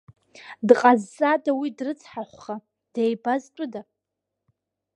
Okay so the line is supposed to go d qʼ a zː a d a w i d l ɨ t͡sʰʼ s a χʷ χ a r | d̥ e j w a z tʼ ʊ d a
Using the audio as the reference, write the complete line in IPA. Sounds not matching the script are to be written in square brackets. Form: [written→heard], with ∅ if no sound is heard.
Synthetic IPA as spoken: d qʼ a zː a d a w i d [l→r] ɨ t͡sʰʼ [s→ħ] a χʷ χ a [r→∅] | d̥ e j [w→b] a z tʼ ʊ d a